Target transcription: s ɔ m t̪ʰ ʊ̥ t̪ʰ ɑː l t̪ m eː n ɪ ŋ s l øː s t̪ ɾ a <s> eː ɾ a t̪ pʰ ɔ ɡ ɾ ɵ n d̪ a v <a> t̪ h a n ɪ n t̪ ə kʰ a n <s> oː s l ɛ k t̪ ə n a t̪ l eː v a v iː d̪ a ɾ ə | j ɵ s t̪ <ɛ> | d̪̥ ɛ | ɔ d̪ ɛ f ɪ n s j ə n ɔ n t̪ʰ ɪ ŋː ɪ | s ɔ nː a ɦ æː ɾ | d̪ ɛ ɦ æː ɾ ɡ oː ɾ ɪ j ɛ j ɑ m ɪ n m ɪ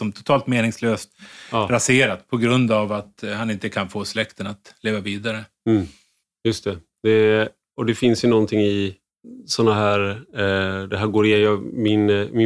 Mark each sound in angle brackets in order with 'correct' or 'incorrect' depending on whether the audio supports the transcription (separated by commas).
correct, correct, incorrect, correct